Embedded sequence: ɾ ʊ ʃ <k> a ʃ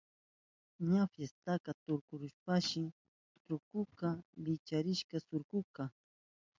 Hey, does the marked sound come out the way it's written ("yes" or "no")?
no